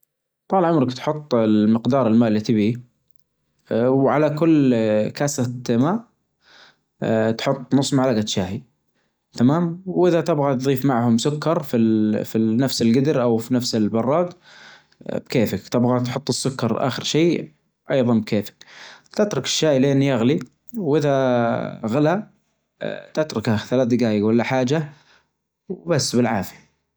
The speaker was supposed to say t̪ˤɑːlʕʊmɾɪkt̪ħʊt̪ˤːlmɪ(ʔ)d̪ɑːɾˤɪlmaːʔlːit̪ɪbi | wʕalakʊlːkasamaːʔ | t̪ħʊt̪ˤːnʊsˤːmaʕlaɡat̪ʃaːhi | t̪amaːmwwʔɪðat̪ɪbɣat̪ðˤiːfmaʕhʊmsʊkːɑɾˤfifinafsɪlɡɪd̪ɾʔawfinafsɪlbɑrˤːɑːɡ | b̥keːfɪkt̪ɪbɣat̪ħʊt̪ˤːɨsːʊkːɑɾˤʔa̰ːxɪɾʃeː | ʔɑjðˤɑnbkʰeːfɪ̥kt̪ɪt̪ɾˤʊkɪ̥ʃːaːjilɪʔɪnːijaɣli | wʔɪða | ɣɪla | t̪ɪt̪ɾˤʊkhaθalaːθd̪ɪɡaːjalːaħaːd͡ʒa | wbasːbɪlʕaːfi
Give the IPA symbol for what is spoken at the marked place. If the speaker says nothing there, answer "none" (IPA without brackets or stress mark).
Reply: q